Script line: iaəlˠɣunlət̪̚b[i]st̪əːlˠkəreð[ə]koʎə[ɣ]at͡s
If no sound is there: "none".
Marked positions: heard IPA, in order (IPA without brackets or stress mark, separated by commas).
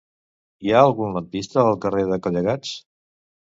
i, ə, ɣ